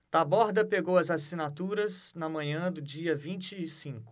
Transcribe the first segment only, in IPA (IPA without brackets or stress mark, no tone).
t̪